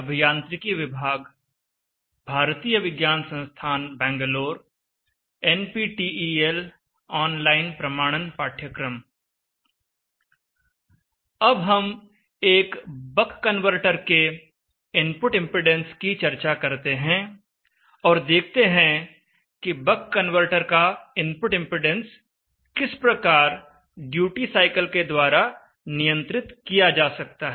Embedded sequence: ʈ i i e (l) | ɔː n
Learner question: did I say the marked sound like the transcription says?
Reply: yes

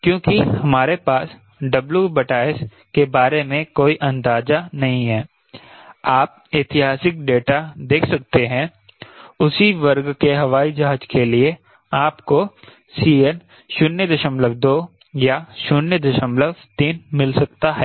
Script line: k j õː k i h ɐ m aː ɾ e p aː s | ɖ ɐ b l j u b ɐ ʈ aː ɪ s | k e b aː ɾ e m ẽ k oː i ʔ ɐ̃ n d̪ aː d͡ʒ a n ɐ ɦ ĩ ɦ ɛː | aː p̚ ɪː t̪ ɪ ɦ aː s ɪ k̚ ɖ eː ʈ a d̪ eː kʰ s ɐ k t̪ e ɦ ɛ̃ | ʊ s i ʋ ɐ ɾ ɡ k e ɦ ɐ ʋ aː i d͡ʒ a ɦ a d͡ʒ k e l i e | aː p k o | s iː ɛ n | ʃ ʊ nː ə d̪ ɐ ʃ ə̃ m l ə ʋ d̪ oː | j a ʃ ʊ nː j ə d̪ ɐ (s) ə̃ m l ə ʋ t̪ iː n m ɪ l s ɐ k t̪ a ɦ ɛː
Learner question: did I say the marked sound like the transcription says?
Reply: no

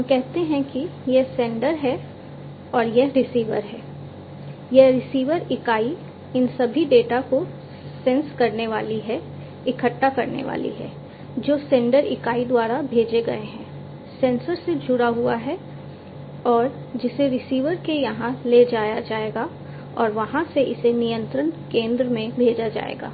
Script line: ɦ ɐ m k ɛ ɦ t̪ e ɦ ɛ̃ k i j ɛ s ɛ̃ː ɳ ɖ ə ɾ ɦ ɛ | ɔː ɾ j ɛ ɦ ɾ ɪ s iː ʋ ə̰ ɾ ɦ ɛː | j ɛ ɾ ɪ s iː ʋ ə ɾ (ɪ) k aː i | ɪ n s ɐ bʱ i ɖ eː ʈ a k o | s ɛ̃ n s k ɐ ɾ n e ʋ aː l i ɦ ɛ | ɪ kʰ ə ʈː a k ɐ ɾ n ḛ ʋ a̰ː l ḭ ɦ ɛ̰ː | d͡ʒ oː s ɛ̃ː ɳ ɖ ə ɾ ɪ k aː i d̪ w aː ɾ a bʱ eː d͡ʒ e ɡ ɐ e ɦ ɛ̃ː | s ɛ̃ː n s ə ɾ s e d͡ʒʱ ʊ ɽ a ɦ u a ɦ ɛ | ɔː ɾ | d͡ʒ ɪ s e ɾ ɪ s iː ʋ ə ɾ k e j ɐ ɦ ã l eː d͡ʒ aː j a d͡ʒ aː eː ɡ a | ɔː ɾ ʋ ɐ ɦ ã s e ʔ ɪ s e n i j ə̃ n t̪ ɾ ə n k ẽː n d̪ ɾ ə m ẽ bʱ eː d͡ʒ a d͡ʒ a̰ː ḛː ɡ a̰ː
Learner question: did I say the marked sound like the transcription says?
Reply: yes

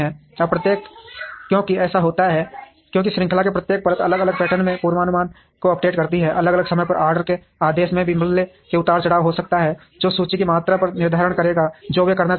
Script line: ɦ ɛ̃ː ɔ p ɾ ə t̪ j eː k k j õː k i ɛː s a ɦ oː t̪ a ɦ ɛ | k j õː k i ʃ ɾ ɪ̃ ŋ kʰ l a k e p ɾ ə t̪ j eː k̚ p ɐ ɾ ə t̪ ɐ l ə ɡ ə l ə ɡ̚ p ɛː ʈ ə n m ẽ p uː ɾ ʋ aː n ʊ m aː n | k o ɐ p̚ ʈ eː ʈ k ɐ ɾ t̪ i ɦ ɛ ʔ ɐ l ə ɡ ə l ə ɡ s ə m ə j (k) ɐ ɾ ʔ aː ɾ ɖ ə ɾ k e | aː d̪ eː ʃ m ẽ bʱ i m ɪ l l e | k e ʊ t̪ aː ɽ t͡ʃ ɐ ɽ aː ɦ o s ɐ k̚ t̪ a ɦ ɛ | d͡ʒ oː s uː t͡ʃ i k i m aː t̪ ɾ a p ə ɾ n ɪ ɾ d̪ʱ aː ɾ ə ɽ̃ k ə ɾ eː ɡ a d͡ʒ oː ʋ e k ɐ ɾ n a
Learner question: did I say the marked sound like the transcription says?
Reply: no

